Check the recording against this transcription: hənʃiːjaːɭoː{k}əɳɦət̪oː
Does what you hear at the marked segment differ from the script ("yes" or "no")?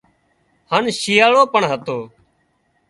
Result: yes